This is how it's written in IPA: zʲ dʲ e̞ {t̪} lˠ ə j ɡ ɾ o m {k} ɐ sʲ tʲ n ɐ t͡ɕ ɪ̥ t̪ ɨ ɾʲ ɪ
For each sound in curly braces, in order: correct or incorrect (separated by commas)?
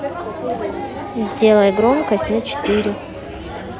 incorrect, correct